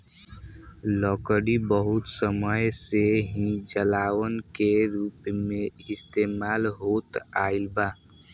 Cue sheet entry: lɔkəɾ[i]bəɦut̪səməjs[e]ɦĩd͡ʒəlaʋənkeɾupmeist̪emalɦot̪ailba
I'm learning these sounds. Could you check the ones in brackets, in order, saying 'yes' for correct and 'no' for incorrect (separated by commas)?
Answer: yes, yes